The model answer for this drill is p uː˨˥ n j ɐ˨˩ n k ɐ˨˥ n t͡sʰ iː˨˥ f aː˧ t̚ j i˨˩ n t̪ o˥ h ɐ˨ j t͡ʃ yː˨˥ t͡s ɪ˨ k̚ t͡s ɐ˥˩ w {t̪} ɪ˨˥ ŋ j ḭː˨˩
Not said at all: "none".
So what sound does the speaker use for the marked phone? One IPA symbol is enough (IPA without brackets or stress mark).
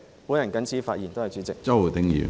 t̪